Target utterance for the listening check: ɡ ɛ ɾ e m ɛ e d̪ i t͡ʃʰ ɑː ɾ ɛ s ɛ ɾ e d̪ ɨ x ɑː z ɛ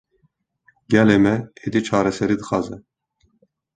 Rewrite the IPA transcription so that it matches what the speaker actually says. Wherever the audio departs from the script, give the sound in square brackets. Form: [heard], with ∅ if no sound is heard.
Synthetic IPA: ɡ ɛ [l] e m ɛ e d̪ i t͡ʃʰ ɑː ɾ ɛ s ɛ ɾ [i] d̪ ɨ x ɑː z ɛ